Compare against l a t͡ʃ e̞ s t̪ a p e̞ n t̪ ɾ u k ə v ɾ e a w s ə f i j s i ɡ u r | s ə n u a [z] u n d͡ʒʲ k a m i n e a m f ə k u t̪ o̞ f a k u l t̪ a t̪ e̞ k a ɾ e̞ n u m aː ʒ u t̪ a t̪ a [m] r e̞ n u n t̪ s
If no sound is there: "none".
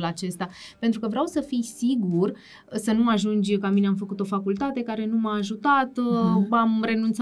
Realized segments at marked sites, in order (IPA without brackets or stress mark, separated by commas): ʒ, m